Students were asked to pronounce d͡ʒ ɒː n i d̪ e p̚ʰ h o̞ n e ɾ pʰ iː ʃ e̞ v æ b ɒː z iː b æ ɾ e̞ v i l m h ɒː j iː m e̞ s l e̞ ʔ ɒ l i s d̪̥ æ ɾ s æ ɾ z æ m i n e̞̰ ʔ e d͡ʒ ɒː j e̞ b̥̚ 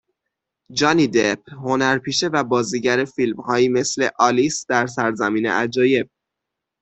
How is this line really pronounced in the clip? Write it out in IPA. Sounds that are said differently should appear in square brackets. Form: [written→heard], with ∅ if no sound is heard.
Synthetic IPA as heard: d͡ʒ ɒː n i d̪ e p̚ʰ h o̞ n [e→æ] ɾ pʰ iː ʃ e̞ v æ b ɒː z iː [b→ɟ] æ ɾ e̞ [v→f] i l m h ɒː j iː m e̞ s l e̞ ʔ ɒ l i s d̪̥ æ ɾ s æ ɾ z æ m [i→iː] n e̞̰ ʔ [e→æ] d͡ʒ ɒː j e̞ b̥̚